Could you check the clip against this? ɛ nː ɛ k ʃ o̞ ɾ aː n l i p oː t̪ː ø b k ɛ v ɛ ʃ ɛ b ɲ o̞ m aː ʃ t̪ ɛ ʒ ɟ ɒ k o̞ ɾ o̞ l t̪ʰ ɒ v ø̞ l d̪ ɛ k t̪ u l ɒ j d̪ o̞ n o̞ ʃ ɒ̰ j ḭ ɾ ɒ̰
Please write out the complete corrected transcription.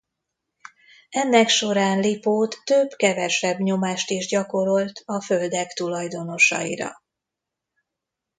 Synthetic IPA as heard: ɛ nː ɛ k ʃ o̞ ɾ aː n l i p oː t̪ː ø b k ɛ v ɛ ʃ ɛ b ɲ o̞ m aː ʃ t̪ i ʒ ɟ ɒ k o̞ ɾ o̞ l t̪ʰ ɒ f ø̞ l d̪ ɛ k t̪ u l ɒ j d̪ o̞ n o̞ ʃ ɒ̰ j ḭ ɾ ɒ̰